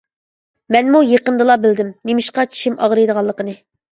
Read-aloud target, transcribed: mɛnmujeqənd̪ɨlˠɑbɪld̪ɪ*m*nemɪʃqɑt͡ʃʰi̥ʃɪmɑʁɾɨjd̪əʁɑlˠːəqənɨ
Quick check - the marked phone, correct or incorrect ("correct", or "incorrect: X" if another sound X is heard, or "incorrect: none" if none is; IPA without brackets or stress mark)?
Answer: correct